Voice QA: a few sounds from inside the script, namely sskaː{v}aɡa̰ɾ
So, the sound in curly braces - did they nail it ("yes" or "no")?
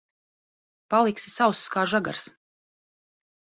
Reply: no